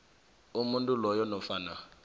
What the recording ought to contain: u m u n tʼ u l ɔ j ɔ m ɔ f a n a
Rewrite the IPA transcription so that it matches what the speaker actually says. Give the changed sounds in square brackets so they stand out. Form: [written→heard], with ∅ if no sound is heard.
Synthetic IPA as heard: u m u n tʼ u l ɔ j ɔ [m→n] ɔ f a n a